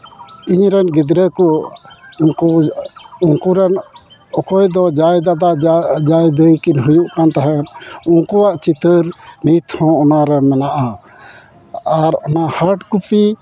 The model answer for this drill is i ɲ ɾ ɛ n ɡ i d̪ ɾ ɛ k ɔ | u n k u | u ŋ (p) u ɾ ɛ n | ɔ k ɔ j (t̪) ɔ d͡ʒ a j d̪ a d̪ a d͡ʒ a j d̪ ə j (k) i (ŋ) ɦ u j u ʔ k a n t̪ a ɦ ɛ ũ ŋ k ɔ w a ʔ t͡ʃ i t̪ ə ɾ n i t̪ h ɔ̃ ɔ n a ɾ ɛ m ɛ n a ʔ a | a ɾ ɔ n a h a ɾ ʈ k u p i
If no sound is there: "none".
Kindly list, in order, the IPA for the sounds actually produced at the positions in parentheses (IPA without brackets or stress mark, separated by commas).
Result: k, d̪, k, n